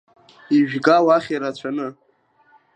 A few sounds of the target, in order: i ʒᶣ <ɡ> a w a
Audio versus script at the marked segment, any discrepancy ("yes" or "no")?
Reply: no